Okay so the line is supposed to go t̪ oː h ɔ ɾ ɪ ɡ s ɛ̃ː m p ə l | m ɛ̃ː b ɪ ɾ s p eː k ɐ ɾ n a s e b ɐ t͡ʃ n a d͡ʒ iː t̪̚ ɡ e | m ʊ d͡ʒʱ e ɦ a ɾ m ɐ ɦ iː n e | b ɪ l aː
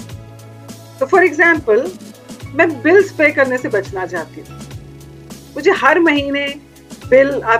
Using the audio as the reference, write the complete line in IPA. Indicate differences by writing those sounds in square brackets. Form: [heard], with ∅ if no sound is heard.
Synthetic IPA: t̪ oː [f] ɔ ɾ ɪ ɡ [z] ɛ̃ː m p ə l | m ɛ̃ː b ɪ [l] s p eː k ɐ ɾ n [e] s e b ɐ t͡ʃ n a d͡ʒ [aː] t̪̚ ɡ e | m ʊ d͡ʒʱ e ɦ [ɐ] ɾ m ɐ ɦ iː n e | b ɪ l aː